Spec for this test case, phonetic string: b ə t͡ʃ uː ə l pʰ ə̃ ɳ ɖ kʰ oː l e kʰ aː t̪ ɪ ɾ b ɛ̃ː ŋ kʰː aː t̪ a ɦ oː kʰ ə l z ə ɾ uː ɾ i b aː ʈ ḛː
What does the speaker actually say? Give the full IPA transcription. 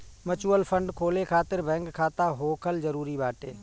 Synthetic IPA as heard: m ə t͡ʃ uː ə l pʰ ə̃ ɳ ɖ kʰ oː l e kʰ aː t̪ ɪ ɾ b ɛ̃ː ŋ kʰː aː t̪ a ɦ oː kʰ ə l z ə ɾ uː ɾ i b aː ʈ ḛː